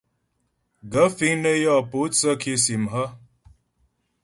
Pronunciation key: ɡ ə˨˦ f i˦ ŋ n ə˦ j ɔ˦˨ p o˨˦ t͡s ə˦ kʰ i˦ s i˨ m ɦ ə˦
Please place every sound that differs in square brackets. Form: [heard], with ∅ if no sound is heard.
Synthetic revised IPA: ɡ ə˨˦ f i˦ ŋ n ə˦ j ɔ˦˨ p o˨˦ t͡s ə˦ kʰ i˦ s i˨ m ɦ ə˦